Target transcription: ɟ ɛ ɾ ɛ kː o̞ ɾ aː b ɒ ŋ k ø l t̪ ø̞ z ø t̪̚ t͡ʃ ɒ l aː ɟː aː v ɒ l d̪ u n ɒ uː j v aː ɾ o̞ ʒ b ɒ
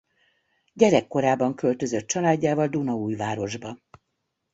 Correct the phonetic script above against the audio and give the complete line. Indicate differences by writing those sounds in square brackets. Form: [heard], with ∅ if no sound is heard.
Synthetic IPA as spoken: ɟ ɛ ɾ ɛ kː o̞ ɾ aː b ɒ ŋ k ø l t̪ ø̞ z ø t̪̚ t͡ʃ ɒ l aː ɟː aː v ɒ l d̪ u n ɒ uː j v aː ɾ o̞ ʒ b ɒ

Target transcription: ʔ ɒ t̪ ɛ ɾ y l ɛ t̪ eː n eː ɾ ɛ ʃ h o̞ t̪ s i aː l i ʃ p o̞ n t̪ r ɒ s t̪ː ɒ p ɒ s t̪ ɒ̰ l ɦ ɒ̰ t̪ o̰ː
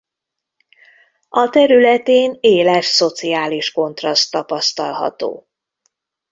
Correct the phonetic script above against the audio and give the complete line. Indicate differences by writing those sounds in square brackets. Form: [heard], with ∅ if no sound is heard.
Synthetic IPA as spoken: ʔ ɒ t̪ ɛ ɾ y l ɛ t̪ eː n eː [l] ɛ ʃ [s] o̞ t̪ s i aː l i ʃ [k] o̞ n t̪ r ɒ s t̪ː ɒ p ɒ s t̪ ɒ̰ l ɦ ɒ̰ t̪ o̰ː

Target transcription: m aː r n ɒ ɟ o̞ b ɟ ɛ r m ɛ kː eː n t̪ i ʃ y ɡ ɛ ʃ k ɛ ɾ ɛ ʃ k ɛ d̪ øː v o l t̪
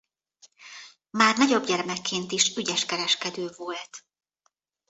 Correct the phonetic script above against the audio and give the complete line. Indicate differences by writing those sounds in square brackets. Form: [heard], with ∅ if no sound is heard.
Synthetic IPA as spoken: m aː r n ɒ ɟ o̞ b ɟ ɛ r m ɛ kː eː n t̪ i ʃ y [ɟ] ɛ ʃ k ɛ ɾ ɛ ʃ k ɛ d̪ øː v o l t̪

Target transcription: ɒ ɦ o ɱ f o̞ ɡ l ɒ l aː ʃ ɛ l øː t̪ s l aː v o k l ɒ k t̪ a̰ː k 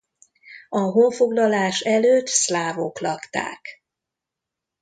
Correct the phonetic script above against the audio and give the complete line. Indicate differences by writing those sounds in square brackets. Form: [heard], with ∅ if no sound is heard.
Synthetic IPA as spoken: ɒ ɦ o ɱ f o̞ ɡ l ɒ l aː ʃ ɛ l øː t̪ s l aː v o k l ɒ k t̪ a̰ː k

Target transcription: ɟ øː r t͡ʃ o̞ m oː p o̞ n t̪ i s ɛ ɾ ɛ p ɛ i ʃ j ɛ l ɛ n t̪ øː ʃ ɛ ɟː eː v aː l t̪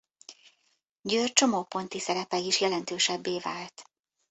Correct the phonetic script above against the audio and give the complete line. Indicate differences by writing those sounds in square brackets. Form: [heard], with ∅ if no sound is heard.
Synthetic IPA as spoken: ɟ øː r t͡ʃ o̞ m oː p o̞ n t̪ i s ɛ ɾ ɛ p ɛ i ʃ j ɛ l ɛ n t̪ øː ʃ ɛ [bː] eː v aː l t̪

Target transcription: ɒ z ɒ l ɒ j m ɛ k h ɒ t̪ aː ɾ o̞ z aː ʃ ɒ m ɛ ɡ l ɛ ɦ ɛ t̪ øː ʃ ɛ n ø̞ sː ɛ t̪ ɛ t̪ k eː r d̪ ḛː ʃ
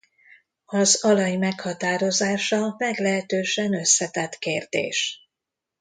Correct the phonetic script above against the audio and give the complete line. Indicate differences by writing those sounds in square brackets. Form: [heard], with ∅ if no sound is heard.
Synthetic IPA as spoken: ɒ z ɒ l ɒ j m ɛ k h ɒ t̪ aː ɾ o̞ z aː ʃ ɒ m ɛ ɡ l ɛ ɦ ɛ t̪ øː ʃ ɛ n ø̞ sː ɛ t̪ ɛ t̪ k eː r d̪ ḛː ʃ

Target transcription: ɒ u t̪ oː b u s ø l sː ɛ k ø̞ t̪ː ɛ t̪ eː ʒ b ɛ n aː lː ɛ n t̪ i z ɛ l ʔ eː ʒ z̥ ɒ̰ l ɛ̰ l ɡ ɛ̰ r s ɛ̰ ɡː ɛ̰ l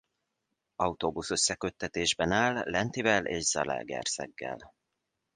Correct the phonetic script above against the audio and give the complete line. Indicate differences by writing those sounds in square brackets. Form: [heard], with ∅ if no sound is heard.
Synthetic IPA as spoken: ɒ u t̪ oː b u s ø [∅] sː ɛ k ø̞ t̪ː ɛ t̪ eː ʒ b ɛ n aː lː ɛ n t̪ i [v] ɛ l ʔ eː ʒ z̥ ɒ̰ l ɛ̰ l ɡ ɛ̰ r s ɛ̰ ɡː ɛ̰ l

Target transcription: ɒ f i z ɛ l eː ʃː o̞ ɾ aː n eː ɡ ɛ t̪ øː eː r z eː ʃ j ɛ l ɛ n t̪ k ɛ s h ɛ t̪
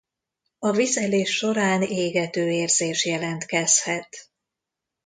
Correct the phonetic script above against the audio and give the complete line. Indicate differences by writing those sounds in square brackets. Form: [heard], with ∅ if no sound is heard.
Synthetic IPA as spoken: ɒ [v] i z ɛ l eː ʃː o̞ ɾ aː n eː ɡ ɛ t̪ øː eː r z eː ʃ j ɛ l ɛ n t̪ k ɛ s h ɛ t̪

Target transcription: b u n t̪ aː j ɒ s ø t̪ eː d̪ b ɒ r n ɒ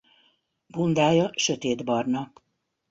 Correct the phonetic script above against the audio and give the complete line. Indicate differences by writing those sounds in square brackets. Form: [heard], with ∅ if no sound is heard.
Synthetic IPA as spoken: b u n [d̪] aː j ɒ [ʃ] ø t̪ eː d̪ b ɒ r n ɒ

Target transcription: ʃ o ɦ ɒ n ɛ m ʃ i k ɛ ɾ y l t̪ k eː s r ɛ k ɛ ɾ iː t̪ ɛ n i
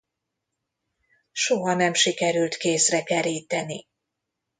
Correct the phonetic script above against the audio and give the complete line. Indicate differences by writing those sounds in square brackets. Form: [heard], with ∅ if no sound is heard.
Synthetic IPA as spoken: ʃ o ɦ ɒ n ɛ m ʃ i k ɛ ɾ y l t̪ k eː s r ɛ k ɛ ɾ iː t̪ ɛ n i

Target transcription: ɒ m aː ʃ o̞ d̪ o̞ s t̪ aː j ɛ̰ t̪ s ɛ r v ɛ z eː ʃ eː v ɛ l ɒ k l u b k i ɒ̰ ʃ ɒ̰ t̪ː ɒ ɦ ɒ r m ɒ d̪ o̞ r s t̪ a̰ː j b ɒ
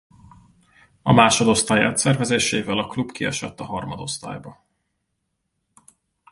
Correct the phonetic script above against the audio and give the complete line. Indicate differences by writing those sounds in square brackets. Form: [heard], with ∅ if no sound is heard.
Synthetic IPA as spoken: ɒ m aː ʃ o̞ d̪ o̞ s t̪ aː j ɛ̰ t̪ s ɛ r v ɛ z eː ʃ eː v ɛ l ɒ k l u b k i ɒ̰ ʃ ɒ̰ t̪ː ɒ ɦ ɒ r m ɒ d̪ o̞ [∅] s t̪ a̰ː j b ɒ

